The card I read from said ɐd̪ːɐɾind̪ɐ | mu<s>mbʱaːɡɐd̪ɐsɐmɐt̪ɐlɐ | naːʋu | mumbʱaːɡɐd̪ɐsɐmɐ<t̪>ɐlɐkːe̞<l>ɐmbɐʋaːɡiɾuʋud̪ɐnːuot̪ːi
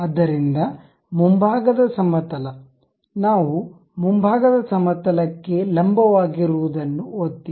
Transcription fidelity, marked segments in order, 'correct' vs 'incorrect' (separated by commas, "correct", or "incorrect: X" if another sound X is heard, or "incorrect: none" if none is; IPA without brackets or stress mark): incorrect: none, correct, correct